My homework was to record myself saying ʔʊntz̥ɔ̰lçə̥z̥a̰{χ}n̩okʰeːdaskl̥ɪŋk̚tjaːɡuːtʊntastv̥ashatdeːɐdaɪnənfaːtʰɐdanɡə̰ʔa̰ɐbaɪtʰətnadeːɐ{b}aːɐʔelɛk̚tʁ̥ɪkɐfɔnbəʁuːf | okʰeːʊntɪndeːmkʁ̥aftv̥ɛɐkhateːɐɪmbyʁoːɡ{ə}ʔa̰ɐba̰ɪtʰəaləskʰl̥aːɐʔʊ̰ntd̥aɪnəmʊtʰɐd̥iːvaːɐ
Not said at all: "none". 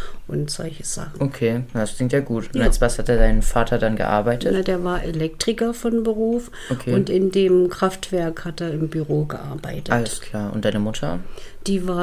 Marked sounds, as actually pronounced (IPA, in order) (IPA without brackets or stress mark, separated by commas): χ, v, ə